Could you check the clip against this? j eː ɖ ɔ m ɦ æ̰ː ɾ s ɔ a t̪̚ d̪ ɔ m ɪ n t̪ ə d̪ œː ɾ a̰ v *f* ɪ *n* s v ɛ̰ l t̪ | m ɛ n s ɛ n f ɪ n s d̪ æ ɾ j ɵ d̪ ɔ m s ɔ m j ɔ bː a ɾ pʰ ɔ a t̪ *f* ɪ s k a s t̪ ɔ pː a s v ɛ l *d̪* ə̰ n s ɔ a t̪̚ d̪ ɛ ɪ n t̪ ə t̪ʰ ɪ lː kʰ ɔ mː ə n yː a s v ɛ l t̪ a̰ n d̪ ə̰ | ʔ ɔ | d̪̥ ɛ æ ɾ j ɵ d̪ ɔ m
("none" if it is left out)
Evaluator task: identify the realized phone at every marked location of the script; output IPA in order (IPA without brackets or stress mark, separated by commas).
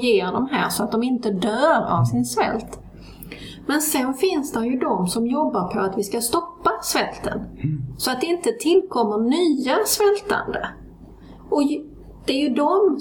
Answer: s, n, v, t̪